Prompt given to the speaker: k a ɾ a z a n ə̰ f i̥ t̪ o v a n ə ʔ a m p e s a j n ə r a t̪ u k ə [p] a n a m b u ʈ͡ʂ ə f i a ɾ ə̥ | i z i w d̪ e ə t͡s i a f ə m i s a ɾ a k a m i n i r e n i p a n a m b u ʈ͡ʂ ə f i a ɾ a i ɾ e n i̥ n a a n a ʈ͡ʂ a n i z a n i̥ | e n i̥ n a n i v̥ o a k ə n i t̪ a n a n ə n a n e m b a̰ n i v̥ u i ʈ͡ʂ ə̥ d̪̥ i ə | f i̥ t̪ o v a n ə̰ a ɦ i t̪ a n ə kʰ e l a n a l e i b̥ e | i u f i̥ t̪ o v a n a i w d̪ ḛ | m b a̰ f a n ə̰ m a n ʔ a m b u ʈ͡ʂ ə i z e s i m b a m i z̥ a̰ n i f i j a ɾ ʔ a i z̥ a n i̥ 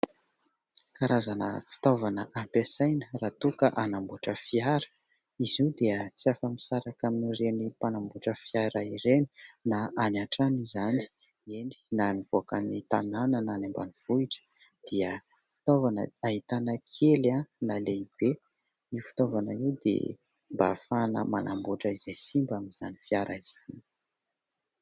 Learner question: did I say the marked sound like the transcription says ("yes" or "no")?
no